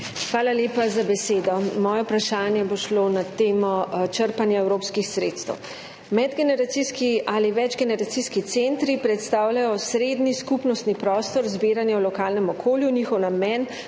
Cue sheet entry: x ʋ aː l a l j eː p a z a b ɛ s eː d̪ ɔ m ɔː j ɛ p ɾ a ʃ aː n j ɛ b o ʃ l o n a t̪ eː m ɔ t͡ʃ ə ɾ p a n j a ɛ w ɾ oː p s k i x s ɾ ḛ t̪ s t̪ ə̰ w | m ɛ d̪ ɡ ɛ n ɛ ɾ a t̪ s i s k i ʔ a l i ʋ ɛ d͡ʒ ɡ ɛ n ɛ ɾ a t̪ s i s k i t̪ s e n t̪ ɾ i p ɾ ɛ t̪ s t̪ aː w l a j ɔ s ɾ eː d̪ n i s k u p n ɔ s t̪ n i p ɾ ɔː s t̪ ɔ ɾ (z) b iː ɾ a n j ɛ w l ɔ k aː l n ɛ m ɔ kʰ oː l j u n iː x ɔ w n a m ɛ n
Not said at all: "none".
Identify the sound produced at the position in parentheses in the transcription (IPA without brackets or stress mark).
z